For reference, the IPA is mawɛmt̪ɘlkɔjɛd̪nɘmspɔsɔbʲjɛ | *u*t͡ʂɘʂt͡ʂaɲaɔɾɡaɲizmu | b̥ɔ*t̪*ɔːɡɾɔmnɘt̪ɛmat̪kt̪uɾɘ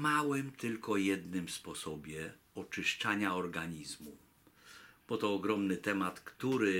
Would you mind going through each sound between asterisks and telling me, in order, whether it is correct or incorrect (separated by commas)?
incorrect, correct